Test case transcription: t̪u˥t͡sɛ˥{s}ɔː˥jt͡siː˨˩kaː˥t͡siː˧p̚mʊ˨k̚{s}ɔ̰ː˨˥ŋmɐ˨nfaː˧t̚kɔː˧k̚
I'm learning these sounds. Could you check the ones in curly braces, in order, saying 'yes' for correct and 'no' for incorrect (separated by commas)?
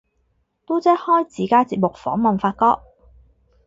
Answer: no, no